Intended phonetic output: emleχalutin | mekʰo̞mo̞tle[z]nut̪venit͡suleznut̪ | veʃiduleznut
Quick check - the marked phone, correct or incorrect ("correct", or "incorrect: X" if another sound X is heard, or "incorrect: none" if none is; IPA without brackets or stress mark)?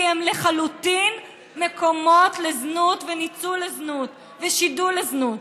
correct